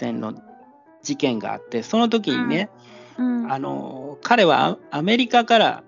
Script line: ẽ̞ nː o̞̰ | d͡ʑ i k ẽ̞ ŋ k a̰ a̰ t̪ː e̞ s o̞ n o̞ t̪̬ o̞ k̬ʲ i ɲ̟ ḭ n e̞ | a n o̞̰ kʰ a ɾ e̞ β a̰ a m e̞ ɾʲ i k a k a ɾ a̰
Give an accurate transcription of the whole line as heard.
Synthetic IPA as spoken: ẽ̞ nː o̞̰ | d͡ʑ i k ẽ̞ ŋ ɡ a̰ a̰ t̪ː e̞ s o̞ n o̞ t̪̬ o̞ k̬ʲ i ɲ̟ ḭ n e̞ | a n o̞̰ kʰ a ɾ e̞ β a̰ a m e̞ ɾʲ i k a k a ɾ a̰